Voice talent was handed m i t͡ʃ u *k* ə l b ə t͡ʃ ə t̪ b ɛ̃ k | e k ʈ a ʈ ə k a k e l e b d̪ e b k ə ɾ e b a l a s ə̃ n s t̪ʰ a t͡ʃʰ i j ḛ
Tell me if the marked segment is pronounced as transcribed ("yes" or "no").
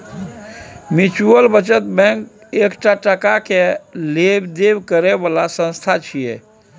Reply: no